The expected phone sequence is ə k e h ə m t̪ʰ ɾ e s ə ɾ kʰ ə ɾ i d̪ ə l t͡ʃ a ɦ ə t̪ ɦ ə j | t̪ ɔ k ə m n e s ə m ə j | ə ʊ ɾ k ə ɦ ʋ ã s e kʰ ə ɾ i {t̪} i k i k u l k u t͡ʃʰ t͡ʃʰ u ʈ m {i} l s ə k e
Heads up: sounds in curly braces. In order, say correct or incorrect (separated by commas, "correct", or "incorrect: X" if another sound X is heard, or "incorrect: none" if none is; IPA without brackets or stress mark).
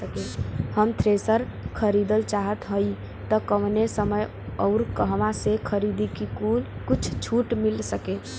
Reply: incorrect: d̪, correct